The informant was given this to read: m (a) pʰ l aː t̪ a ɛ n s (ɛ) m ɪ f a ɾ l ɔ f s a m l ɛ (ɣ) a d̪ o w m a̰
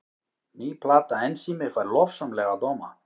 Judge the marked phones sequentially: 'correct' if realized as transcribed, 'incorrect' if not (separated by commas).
incorrect, incorrect, correct